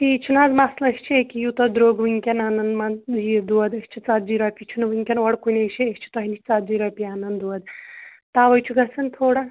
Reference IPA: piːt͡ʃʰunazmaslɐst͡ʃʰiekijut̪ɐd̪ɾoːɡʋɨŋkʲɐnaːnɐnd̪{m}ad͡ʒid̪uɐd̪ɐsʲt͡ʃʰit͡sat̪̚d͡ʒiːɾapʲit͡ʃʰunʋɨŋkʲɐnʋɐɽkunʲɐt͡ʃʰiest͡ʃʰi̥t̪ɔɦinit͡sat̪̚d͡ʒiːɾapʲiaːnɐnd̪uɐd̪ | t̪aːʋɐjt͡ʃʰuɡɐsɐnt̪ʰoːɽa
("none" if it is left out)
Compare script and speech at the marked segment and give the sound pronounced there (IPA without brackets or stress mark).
m